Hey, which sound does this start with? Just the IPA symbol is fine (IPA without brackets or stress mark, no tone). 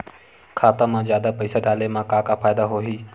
kʰ